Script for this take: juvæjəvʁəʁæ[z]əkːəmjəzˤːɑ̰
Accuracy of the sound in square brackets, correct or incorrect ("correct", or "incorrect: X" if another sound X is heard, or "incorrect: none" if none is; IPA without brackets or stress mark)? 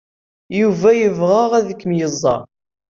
incorrect: ð